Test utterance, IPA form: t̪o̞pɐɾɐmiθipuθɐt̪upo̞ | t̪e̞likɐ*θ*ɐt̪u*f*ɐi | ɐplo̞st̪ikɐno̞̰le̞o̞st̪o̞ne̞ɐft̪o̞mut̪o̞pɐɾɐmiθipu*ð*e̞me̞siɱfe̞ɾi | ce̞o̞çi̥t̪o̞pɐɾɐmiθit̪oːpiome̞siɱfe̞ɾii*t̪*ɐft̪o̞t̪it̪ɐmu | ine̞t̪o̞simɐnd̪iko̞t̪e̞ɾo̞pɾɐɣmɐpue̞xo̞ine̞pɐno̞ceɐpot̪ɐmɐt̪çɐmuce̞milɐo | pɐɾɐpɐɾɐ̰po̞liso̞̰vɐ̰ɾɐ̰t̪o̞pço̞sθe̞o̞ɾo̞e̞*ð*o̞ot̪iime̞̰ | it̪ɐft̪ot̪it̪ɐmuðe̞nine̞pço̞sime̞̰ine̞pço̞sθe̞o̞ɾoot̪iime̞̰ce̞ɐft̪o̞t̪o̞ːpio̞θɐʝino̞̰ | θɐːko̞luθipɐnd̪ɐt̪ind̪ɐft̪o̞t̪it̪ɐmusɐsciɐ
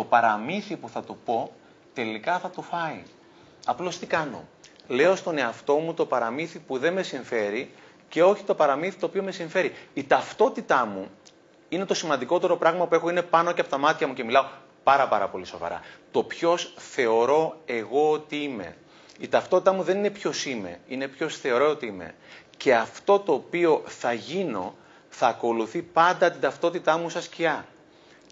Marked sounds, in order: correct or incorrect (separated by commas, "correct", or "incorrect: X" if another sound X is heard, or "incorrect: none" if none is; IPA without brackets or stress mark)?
correct, correct, correct, correct, incorrect: ɣ